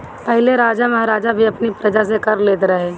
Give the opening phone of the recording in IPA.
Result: p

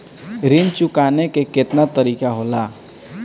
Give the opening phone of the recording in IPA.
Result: ɾ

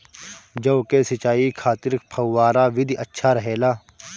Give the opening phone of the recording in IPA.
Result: d͡ʒ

